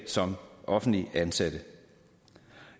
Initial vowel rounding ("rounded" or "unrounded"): rounded